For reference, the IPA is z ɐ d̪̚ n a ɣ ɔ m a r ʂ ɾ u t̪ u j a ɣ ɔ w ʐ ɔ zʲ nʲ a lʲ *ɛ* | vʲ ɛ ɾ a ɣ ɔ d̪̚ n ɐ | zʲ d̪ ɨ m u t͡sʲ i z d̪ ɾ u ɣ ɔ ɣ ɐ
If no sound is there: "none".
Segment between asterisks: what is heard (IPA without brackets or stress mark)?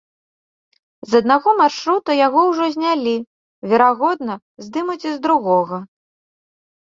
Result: i